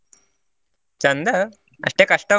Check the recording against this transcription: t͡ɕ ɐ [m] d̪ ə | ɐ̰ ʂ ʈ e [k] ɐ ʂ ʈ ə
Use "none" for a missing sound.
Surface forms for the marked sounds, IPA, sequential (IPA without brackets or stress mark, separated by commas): n, k